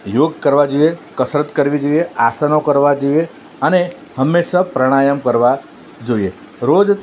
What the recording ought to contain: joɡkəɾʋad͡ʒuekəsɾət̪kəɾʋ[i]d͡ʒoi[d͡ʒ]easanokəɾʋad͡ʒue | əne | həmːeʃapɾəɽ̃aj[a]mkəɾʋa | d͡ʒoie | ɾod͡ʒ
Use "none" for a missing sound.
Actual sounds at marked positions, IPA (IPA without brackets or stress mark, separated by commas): i, none, ə